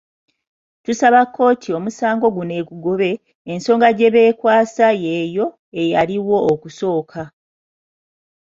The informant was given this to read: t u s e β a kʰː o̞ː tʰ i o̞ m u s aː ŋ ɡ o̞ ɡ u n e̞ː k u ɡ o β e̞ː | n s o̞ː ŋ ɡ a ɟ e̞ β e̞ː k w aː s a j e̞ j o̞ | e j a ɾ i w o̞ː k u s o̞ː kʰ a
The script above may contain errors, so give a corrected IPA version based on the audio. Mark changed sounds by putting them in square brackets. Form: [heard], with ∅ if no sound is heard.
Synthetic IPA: t u s [a] β a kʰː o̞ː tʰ i o̞ m u s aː ŋ ɡ o̞ ɡ u n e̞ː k u ɡ o β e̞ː | n s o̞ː ŋ ɡ a ɟ e̞ β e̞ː k w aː s a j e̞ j o̞ | e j a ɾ i w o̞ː k u s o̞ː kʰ a